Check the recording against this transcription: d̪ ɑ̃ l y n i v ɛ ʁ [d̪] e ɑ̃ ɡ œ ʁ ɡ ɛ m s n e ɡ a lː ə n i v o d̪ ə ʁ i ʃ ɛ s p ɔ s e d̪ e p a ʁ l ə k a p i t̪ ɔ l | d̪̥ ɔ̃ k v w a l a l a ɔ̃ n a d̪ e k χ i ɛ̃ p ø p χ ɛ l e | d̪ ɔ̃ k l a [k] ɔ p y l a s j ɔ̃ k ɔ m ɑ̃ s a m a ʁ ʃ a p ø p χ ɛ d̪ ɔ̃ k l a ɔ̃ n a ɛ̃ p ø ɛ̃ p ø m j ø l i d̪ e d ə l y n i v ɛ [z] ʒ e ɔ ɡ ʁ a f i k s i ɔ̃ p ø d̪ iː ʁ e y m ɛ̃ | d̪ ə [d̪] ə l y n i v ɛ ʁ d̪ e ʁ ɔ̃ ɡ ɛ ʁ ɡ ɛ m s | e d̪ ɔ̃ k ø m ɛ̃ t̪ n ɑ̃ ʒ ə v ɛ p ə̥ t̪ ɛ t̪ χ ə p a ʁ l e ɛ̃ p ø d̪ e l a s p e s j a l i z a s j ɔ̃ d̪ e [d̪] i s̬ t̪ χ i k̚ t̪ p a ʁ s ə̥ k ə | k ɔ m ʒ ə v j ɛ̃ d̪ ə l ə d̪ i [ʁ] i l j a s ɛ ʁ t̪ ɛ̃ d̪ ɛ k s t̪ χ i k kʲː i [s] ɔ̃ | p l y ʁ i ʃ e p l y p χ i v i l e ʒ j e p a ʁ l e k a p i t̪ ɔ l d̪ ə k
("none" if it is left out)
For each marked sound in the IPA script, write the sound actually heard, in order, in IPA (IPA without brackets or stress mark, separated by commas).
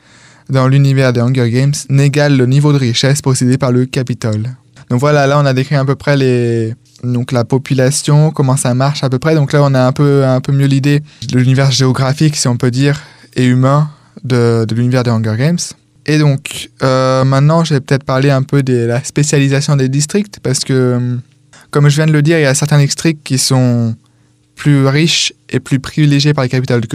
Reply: d̪, p, ʁ, d̪, d̪, ʁ, s